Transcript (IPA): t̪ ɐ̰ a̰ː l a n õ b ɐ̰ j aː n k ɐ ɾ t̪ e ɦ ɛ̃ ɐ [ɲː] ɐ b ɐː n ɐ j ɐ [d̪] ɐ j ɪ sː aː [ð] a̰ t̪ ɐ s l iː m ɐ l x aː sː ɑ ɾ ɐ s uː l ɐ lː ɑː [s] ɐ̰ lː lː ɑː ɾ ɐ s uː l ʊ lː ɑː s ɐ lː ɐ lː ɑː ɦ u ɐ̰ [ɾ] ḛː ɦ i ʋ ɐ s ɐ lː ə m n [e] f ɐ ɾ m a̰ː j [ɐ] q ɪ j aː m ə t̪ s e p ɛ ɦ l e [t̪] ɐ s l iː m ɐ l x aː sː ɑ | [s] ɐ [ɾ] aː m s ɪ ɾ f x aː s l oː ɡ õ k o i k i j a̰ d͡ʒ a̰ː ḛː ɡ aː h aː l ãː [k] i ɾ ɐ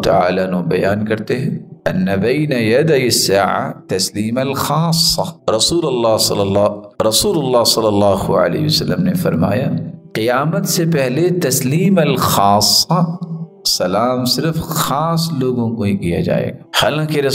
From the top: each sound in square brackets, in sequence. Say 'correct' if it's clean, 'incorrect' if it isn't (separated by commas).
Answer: incorrect, correct, incorrect, correct, incorrect, correct, incorrect, correct, correct, incorrect, correct